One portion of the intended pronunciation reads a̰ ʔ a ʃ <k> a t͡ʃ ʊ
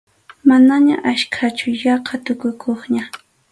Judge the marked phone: incorrect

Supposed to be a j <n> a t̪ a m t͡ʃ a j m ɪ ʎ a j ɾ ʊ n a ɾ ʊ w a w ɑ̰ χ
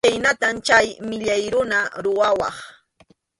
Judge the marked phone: correct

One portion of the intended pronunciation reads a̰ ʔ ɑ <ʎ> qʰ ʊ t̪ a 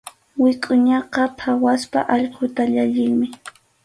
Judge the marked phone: correct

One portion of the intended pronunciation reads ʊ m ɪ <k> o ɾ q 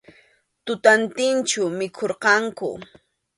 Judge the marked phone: incorrect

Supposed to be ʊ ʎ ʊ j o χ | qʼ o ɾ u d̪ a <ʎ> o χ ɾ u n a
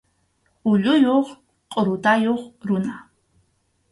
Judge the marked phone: incorrect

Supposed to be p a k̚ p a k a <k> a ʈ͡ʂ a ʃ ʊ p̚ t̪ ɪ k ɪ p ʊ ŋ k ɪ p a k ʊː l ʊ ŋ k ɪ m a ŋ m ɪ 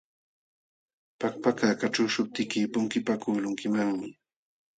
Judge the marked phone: correct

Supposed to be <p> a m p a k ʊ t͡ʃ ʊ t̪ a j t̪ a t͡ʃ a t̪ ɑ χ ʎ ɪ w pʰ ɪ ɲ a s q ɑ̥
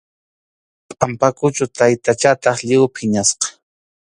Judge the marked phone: incorrect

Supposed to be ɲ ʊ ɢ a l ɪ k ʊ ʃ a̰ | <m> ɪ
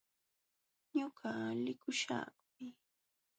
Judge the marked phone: correct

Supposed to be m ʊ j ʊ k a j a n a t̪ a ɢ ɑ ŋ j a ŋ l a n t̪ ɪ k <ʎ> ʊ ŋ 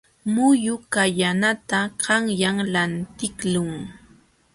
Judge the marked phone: incorrect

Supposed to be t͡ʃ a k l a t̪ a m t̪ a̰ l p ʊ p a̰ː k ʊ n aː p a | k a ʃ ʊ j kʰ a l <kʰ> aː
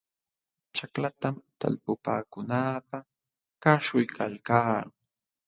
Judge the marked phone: incorrect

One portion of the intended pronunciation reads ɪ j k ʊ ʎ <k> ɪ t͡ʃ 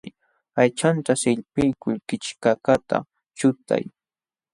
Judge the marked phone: correct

